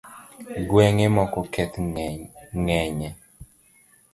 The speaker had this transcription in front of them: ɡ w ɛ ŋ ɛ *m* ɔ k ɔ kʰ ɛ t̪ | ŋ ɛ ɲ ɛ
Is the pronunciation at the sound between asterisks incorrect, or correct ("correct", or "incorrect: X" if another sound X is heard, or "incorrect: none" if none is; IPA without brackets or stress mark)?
correct